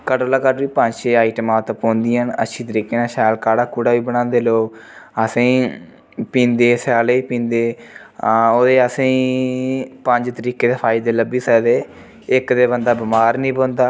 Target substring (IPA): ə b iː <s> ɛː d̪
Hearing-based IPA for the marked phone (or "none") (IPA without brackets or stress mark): s